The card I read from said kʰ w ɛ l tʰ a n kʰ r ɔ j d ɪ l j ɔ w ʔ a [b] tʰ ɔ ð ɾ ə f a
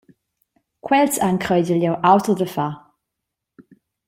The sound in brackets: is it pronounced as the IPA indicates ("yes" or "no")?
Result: no